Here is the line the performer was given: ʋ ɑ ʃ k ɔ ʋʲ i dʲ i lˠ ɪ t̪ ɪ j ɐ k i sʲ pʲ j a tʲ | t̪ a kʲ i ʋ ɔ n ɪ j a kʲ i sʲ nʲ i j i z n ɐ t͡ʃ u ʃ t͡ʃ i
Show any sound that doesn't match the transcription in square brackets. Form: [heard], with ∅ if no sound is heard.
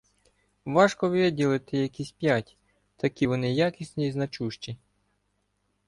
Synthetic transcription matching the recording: ʋ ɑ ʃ k ɔ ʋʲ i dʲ i lˠ ɪ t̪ ɪ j ɐ k i sʲ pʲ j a tʲ | t̪ [ɐ] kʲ i ʋ ɔ n ɪ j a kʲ i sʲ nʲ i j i z n ɐ t͡ʃ u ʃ t͡ʃ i